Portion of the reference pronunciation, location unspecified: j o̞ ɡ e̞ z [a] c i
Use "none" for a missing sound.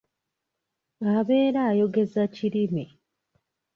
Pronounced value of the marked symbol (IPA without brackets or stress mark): a